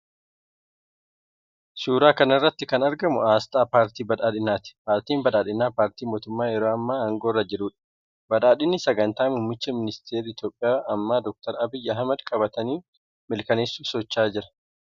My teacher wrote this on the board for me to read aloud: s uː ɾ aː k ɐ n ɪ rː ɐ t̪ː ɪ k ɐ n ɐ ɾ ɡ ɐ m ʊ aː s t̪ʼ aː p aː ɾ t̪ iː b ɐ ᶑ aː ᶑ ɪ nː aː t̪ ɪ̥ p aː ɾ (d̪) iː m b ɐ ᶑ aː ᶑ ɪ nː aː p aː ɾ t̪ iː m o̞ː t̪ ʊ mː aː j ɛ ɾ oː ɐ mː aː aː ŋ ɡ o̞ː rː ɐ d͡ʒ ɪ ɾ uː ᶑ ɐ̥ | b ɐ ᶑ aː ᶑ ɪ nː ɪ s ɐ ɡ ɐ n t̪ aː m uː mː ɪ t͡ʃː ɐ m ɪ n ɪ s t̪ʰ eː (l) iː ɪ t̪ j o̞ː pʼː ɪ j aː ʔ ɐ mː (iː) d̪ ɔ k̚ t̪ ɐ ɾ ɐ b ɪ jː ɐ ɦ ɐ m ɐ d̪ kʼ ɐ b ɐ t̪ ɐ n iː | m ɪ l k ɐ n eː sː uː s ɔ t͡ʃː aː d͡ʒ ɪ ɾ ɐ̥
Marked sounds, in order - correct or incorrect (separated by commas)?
incorrect, incorrect, incorrect